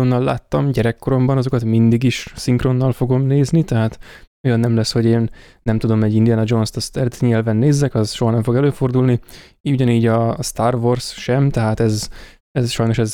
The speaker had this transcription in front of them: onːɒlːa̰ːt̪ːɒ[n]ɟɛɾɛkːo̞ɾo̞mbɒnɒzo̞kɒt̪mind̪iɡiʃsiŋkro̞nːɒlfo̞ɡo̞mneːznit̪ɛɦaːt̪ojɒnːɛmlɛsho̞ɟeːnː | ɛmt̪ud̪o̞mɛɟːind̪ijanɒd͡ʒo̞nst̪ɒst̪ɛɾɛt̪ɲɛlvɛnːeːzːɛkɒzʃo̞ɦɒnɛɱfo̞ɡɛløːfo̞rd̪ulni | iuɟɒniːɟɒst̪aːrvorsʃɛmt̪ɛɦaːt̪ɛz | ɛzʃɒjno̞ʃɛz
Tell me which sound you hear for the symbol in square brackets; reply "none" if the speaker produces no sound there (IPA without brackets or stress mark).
m